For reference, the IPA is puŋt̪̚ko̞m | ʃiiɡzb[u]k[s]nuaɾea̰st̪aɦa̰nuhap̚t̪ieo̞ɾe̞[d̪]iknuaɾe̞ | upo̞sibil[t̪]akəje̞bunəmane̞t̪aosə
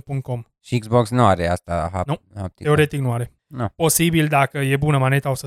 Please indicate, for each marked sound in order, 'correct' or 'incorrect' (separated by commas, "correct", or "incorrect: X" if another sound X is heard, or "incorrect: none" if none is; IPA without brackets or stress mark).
incorrect: o, correct, incorrect: t̪, incorrect: d̪